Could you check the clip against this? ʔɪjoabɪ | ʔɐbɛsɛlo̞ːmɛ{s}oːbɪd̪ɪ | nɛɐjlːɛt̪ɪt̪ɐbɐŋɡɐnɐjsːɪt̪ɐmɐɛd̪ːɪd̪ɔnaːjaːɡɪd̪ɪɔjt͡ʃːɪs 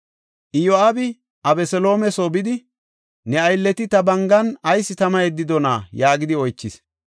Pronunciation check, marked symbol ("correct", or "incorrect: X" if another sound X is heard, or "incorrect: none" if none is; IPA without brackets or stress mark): correct